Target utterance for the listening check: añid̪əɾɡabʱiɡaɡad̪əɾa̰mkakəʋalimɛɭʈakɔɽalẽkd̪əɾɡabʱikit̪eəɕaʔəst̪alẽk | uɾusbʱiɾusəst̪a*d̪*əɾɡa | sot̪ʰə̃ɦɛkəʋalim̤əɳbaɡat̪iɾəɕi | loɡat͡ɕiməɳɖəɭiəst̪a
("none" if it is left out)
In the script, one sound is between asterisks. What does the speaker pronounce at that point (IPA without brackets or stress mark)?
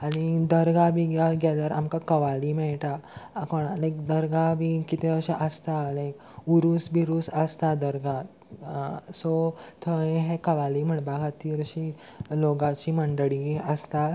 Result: d̪